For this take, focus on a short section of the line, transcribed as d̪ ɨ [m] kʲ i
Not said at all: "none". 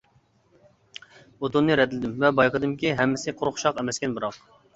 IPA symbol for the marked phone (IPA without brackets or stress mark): m